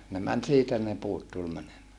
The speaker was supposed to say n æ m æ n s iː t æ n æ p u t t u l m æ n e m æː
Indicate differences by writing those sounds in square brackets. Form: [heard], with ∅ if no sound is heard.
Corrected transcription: n [e] m æ n s iː t æ n [e] p [uː] t t u l m æ n e m æː